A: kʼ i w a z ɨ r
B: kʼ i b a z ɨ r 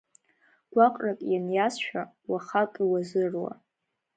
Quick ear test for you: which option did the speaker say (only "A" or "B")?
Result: A